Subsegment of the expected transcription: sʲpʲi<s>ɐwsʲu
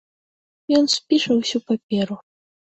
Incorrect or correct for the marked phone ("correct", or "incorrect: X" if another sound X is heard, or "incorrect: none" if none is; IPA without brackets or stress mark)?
incorrect: ʂ